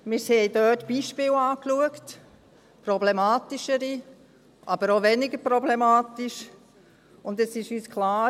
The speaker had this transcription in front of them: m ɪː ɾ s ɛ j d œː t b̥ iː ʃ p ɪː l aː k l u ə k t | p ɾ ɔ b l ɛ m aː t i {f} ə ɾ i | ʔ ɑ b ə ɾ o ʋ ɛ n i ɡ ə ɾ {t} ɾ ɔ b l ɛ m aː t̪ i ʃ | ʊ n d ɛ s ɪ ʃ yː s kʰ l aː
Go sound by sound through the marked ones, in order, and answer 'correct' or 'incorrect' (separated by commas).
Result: incorrect, incorrect